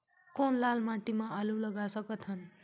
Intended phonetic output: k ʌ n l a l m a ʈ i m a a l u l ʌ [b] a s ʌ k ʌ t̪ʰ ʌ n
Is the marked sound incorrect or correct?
incorrect